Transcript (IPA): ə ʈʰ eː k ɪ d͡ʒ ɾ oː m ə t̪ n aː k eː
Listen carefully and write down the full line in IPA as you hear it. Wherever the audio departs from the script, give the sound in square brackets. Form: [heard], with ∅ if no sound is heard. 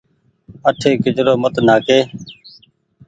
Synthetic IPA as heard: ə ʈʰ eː k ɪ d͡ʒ ɾ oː m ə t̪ n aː k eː